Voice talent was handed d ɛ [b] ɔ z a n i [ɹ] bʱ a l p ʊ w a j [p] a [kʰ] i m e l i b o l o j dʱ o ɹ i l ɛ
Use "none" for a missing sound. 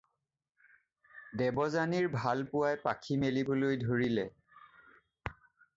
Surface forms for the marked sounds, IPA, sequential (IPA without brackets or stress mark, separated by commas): b, ɹ, p, kʰ